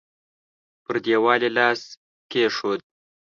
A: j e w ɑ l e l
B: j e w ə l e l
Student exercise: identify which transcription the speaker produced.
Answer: A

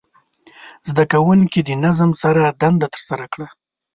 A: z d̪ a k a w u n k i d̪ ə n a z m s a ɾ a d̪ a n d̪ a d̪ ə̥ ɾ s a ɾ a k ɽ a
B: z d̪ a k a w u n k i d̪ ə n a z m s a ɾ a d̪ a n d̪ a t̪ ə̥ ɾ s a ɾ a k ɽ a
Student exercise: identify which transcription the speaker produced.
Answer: B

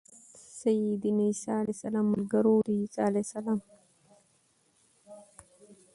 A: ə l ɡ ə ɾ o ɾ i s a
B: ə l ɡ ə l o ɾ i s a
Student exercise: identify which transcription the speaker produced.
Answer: A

